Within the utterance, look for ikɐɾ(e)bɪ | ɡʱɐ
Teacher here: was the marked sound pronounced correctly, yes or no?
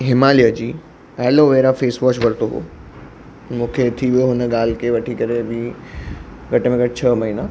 yes